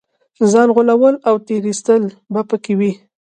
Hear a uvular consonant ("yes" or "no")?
no